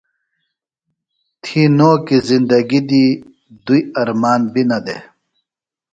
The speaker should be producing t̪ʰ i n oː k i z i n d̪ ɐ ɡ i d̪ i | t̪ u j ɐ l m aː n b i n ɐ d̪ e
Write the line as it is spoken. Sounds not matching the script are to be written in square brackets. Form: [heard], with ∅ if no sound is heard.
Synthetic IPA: t̪ʰ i n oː k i z i n d̪ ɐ ɡ i d̪ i | [d̪] u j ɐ [ɾ] m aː n b i n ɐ d̪ e